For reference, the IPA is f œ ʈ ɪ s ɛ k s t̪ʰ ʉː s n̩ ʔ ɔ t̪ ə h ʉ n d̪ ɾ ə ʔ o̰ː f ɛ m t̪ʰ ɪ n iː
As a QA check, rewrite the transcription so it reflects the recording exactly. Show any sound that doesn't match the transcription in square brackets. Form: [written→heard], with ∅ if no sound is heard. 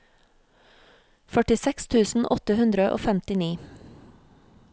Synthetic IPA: f œ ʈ ɪ s ɛ k s t̪ʰ ʉː s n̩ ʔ ɔ t̪ ə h ʉ n d̪ ɾ ə ʔ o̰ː f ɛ m [t̪ʰ→t̪] ɪ n iː